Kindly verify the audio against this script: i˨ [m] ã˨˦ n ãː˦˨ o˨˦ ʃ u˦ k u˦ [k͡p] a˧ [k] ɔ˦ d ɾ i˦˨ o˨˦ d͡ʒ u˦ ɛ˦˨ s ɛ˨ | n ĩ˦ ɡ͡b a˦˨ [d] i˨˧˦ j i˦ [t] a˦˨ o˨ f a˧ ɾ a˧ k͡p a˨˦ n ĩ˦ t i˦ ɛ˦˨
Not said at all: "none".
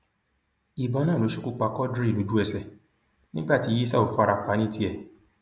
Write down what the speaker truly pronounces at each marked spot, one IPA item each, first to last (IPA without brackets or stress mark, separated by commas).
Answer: b, k͡p, k, t, s